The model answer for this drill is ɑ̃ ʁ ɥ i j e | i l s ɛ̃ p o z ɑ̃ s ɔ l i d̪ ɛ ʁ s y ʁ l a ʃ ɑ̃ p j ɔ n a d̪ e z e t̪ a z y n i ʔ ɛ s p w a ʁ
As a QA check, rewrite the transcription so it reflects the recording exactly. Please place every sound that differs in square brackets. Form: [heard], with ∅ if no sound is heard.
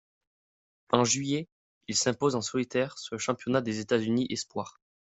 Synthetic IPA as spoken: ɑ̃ [ʒ] ɥ i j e | i l s ɛ̃ p o z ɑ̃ s ɔ l i [t̪] ɛ ʁ s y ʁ l [ə] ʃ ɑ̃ p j ɔ n a d̪ e z e t̪ a z y n i ʔ ɛ s p w a ʁ